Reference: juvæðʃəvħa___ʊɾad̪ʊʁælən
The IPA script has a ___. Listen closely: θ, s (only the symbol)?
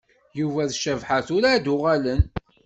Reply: θ